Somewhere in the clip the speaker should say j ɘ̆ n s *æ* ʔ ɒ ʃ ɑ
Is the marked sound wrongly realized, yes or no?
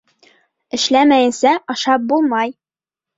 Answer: no